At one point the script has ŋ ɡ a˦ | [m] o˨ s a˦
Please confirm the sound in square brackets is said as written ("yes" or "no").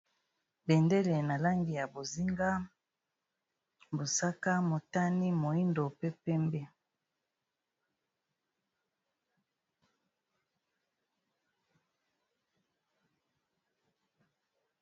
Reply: no